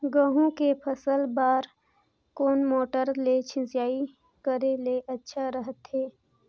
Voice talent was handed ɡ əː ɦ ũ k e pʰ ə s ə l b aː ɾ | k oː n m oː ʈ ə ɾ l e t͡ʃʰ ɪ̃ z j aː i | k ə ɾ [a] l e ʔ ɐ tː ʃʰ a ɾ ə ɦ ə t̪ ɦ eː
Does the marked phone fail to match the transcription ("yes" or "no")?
yes